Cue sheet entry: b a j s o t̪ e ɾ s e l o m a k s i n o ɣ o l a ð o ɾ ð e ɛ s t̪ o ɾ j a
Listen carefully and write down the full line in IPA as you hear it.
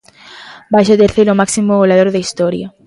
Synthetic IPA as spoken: b a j ʃ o t̪ e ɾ θ e ɾ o m a k s i m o ɣ o l a ð o ɾ ð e i s t̪ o ɾ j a